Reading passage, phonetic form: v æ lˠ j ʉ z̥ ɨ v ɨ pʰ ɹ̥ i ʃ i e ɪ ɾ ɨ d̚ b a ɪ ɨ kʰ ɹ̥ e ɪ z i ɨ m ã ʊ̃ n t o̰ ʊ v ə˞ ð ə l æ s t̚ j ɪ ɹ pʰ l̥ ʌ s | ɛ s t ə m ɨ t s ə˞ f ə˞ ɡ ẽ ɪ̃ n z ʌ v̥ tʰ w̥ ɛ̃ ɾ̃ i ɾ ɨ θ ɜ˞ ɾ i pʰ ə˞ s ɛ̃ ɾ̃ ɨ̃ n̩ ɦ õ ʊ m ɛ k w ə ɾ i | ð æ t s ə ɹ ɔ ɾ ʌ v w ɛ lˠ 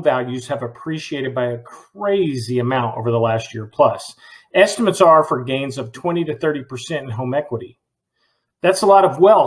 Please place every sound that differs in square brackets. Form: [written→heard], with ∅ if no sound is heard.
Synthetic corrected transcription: v æ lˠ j ʉ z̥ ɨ v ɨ pʰ ɹ̥ i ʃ i e ɪ ɾ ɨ d̚ b a ɪ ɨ kʰ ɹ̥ e ɪ z i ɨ m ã ʊ̃ n t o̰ ʊ v ə˞ ð ə l æ s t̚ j ɪ ɹ pʰ l̥ ʌ s | ɛ s t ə m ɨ t s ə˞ f ə˞ ɡ ẽ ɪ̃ n z ʌ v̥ tʰ w̥ ɛ̃ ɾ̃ i ɾ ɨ θ ɜ˞ ɾ i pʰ ə˞ s ɛ̃ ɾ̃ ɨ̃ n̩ ɦ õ ʊ m ɛ k w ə ɾ i | ð æ t s ə [ɹ→l] ɔ ɾ ʌ v w ɛ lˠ

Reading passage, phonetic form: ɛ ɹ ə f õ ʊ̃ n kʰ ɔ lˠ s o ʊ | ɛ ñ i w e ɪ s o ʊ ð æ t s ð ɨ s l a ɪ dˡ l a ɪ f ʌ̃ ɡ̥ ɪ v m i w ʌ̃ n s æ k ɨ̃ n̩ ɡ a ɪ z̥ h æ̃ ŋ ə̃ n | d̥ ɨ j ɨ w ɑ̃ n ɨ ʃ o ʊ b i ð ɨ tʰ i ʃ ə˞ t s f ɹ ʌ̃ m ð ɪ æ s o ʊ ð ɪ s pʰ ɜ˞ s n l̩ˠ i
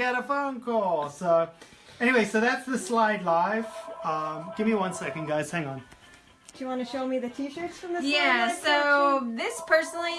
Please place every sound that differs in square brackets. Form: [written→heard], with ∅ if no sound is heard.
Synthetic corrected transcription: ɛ [ɹ→ɾ] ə f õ ʊ̃ n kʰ ɔ lˠ s o ʊ | ɛ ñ i w e ɪ s o ʊ ð æ t s ð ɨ s l a ɪ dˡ l a ɪ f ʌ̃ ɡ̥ ɪ v m i w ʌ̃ n s [æ→ɛ] k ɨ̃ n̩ ɡ a ɪ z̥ h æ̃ ŋ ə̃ n | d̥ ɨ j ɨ w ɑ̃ n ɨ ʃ o ʊ [b→m] i ð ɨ tʰ i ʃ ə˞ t s f ɹ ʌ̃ m ð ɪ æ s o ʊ ð ɪ s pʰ ɜ˞ s n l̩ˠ i

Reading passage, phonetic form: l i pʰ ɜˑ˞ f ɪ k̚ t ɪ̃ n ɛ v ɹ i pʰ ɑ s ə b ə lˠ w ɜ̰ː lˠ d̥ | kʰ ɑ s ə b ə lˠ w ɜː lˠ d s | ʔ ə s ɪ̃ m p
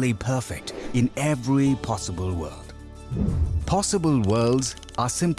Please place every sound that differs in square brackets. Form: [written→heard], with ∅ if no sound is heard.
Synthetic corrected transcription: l i pʰ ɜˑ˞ f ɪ k̚ t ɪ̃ n ɛ v ɹ i pʰ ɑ s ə b ə lˠ w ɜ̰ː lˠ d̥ | [kʰ→pʰ] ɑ s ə b ə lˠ w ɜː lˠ d [s→z] | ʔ ə s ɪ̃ m p

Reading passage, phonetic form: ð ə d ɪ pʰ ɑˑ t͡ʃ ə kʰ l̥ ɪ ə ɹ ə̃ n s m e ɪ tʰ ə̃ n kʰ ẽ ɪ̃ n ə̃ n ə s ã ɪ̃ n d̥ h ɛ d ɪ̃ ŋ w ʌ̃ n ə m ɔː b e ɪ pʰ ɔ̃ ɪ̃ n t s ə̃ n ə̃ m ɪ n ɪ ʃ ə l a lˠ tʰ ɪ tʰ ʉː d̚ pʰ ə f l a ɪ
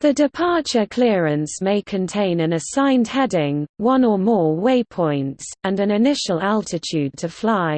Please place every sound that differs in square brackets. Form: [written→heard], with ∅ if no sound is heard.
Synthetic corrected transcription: ð ə d ɪ pʰ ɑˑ t͡ʃ ə kʰ l̥ ɪ ə ɹ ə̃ n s m e ɪ [tʰ→kʰ] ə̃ n [kʰ→tʰ] ẽ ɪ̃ n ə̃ n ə s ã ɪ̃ n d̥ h ɛ d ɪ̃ ŋ w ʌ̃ n ə m ɔː [b→w] e ɪ pʰ ɔ̃ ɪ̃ n t s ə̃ n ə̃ [m→n] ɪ n ɪ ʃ ə l a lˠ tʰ ɪ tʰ ʉː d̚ [pʰ→tʰ] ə f l a ɪ

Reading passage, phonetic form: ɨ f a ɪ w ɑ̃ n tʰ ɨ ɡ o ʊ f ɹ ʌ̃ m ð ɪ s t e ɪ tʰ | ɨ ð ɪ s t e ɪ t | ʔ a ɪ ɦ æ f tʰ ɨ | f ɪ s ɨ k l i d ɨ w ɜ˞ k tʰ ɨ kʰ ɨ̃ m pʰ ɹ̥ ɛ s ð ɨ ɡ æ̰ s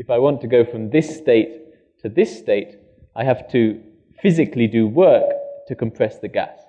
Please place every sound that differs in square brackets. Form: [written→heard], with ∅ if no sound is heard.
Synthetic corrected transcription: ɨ f a ɪ w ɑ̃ n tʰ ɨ ɡ o ʊ f ɹ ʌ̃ m ð ɪ s t e ɪ tʰ | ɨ ð ɪ s t e ɪ t | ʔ a ɪ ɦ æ f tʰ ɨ | f ɪ [s→z] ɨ k l i d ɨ w ɜ˞ k tʰ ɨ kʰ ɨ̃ m pʰ ɹ̥ ɛ s ð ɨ ɡ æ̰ s

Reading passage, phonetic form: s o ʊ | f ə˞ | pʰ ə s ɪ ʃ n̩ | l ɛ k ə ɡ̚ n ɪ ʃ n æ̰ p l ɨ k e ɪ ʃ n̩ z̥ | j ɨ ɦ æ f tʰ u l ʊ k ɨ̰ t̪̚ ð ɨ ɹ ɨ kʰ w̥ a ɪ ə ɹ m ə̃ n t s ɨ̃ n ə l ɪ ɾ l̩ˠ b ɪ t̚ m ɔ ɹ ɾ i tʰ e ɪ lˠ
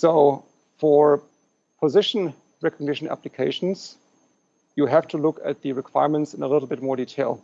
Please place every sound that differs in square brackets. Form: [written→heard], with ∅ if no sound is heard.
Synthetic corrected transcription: s o ʊ | f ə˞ | pʰ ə [s→z] ɪ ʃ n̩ | [l→ɹ] ɛ k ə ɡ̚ n ɪ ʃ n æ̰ p l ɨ [k→kʰ] e ɪ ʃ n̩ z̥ | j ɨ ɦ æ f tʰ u l ʊ k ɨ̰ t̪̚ ð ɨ ɹ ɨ kʰ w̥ a ɪ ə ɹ m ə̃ n t s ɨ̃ n ə l ɪ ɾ l̩ˠ b ɪ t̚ m ɔ ɹ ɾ i tʰ e ɪ lˠ

